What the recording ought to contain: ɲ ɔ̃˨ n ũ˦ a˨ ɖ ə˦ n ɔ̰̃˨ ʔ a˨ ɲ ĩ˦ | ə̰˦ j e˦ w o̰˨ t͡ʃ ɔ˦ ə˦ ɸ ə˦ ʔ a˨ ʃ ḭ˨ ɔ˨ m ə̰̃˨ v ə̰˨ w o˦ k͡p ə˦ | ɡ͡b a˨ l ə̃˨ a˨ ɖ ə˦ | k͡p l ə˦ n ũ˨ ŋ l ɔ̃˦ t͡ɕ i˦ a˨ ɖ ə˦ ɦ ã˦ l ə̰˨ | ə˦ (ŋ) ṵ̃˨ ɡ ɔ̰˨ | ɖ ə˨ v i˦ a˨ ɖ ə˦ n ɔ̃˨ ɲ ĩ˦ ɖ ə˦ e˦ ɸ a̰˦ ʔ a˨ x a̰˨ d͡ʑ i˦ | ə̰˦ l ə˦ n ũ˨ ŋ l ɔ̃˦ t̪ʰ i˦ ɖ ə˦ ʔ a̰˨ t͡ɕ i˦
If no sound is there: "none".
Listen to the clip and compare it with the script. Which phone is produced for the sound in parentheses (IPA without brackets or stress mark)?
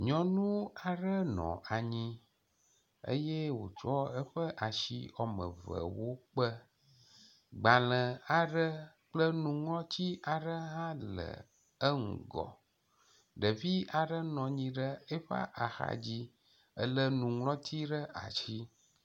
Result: ŋ